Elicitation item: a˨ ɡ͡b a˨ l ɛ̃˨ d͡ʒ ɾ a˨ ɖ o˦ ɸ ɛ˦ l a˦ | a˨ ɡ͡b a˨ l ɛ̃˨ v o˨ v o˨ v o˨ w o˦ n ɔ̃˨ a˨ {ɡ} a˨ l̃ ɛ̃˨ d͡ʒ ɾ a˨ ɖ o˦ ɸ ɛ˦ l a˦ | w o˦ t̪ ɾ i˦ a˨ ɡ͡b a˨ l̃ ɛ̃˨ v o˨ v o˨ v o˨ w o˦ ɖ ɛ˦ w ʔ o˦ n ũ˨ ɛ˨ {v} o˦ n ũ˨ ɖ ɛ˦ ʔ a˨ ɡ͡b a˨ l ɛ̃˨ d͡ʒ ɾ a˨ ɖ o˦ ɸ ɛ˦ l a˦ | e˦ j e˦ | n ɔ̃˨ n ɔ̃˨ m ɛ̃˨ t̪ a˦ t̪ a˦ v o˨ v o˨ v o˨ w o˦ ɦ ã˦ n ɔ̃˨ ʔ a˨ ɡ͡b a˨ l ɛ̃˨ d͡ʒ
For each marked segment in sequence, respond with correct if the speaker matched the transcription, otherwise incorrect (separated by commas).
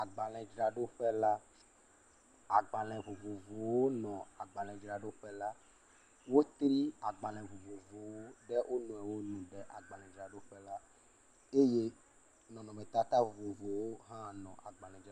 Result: incorrect, incorrect